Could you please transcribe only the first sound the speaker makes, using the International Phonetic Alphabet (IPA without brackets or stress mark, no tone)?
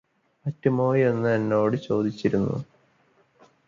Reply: ɐ